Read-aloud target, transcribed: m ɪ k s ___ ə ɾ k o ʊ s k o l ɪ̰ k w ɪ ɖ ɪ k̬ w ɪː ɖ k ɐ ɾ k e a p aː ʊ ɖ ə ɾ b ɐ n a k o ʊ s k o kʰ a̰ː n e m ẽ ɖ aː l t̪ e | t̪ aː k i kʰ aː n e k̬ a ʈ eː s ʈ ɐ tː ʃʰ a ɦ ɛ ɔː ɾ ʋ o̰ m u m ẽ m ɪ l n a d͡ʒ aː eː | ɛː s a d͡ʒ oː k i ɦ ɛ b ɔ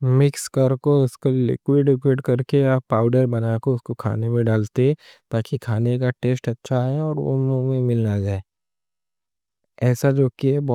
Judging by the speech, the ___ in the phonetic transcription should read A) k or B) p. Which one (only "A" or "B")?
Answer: A